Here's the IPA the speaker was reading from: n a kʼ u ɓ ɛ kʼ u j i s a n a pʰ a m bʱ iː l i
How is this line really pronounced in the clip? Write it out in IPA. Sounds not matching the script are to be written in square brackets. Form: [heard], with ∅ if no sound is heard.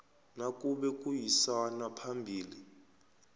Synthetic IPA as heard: n a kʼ u ɓ ɛ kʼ u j i s a n a pʰ a m bʱ iː l i